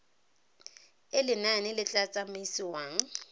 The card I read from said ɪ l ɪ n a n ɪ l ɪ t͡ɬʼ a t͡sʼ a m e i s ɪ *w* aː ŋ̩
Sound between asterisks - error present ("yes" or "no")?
no